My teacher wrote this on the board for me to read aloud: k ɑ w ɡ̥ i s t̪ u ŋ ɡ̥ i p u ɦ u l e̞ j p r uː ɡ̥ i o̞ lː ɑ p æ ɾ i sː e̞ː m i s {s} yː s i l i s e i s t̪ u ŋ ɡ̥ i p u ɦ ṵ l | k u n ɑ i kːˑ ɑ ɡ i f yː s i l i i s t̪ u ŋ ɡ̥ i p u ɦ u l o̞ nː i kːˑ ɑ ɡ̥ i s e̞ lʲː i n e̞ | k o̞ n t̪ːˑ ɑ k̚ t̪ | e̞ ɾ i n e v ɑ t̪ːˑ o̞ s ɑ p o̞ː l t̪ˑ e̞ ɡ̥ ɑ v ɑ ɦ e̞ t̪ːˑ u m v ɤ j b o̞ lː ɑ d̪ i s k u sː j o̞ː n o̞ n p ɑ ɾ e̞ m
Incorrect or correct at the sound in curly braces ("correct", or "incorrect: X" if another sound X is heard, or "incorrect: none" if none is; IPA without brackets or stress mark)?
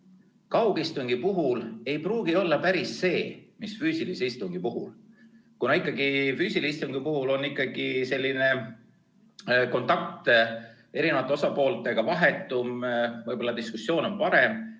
incorrect: f